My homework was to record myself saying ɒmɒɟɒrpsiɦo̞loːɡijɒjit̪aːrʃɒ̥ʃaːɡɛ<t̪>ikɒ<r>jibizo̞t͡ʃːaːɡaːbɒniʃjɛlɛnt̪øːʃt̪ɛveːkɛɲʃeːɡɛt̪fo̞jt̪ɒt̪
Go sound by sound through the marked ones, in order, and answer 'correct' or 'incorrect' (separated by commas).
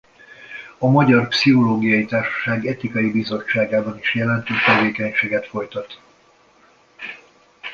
correct, incorrect